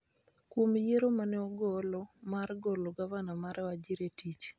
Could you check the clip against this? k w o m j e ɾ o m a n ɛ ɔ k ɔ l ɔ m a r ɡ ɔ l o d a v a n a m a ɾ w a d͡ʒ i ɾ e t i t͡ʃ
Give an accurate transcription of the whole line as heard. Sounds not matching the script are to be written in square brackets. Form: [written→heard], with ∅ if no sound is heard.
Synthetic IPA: k w o m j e ɾ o m a n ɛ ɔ [k→ɡ] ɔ l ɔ m a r ɡ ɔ l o [d→ɡ] a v a n a m a ɾ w a d͡ʒ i ɾ e t i t͡ʃ